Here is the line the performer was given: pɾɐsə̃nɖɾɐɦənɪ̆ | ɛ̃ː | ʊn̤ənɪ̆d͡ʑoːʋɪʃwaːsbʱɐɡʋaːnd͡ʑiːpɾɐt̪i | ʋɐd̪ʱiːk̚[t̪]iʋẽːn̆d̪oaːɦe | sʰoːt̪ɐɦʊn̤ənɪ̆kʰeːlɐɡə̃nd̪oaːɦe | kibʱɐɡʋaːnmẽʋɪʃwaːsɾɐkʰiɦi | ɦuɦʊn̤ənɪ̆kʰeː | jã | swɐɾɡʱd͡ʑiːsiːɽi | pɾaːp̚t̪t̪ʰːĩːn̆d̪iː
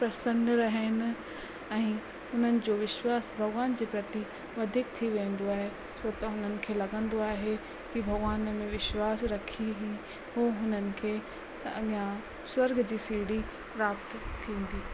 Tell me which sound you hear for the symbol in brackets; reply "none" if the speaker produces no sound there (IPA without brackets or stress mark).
t̪ʰ